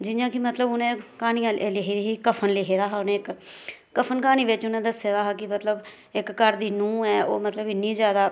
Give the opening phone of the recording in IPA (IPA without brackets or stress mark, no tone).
d͡ʒ